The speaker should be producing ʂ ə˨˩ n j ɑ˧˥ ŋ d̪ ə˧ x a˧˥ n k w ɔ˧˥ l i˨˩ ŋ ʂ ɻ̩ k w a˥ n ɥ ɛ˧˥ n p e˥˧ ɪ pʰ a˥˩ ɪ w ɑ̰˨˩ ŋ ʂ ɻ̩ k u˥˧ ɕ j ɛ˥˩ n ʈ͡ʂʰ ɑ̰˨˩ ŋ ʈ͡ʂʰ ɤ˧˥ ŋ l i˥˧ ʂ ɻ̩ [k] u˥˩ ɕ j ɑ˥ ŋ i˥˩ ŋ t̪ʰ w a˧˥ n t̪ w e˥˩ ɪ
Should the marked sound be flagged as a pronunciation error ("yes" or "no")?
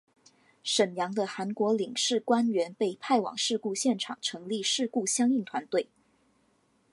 no